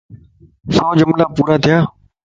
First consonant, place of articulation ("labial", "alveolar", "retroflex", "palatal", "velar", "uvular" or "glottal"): alveolar